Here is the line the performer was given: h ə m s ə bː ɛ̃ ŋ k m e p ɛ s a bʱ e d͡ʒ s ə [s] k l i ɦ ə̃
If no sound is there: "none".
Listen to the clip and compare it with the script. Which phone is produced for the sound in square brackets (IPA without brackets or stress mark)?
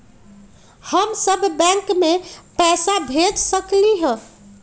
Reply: none